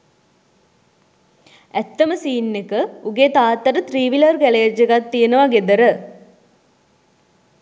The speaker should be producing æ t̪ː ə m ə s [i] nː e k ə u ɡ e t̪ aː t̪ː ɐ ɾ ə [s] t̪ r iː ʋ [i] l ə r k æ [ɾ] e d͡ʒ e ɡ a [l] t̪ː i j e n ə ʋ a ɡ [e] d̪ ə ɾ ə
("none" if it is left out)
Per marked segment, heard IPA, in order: iː, none, i, l, none, e

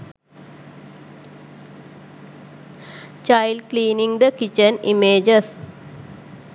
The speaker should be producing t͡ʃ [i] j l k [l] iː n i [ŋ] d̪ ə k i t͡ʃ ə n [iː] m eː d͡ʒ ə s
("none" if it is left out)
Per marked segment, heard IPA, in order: a, l, ŋ, i

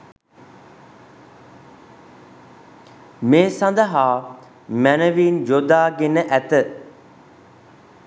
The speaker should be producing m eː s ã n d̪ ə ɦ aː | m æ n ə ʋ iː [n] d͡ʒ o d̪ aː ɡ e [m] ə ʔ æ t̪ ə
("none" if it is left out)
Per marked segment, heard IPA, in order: n, n

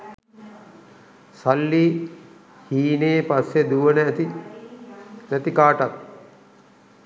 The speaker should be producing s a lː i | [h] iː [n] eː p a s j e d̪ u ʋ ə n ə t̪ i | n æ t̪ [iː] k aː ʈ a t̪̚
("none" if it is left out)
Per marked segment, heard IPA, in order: h, n, i

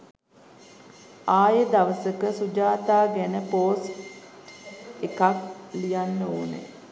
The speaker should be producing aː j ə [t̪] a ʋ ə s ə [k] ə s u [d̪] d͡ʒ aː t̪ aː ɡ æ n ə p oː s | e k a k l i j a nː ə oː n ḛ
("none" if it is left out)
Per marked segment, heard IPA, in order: d̪, k, none

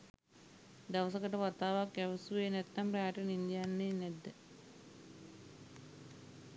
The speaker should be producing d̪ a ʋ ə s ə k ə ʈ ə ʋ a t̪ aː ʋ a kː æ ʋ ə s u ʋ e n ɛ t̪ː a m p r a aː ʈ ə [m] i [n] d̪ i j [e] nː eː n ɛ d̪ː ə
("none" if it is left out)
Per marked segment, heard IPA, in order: n, n, a

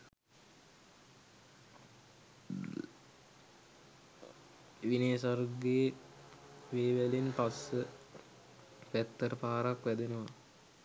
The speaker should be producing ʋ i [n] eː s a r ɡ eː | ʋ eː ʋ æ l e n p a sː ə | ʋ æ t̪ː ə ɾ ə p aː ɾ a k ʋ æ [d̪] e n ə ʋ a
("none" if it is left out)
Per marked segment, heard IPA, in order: n, d̪

